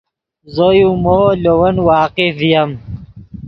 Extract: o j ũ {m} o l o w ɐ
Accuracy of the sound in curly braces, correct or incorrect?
correct